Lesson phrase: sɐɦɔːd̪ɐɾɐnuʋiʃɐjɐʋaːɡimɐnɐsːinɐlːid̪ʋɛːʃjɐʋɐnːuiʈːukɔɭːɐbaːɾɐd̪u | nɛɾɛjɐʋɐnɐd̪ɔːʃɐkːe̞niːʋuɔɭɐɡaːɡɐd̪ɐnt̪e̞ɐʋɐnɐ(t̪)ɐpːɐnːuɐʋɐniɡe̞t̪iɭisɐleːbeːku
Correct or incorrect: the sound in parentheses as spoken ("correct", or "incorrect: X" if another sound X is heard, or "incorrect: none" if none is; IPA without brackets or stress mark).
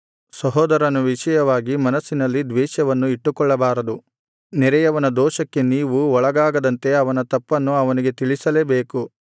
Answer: correct